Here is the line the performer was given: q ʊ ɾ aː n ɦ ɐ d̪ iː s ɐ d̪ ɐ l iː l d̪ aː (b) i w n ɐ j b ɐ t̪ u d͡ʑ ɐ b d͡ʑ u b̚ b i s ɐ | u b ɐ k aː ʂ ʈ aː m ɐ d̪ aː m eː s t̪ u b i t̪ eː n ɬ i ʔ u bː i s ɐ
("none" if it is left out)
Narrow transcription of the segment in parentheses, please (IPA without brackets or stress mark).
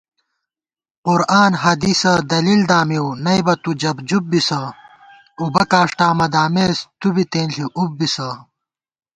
m